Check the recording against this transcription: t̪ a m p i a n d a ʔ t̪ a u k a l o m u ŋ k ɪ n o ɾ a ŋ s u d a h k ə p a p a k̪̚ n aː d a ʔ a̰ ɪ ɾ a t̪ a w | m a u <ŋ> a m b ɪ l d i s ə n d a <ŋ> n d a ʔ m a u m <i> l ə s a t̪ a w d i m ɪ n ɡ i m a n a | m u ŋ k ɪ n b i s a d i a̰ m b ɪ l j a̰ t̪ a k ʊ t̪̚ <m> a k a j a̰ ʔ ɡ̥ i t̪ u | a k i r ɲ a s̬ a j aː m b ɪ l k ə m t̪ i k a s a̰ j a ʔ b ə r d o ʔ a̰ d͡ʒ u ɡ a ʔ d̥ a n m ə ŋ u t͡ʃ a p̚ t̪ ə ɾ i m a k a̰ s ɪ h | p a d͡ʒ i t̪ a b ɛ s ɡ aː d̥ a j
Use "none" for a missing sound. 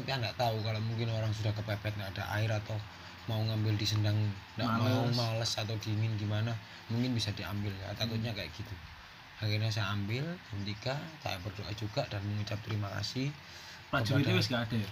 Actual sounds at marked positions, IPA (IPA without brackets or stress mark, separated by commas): ŋ, ŋ, a, ɲ